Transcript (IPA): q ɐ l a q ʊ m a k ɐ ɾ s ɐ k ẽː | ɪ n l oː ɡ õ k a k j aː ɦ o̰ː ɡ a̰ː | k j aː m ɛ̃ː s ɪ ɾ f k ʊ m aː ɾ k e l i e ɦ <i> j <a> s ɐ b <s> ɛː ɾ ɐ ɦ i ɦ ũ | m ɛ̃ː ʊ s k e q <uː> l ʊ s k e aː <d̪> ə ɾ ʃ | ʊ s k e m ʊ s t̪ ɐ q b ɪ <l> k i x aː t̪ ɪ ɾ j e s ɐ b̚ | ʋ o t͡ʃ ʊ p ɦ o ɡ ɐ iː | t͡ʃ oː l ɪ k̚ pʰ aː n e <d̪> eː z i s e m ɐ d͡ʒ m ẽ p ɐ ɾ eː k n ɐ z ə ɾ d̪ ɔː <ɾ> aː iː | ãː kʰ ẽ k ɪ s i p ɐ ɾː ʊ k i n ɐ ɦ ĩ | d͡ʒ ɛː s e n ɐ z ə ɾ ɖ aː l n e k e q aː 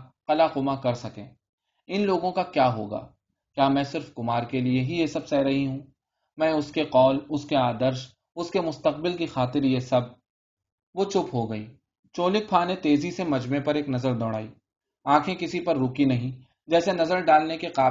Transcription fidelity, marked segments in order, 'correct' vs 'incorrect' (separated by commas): correct, incorrect, correct, incorrect, correct, correct, incorrect, incorrect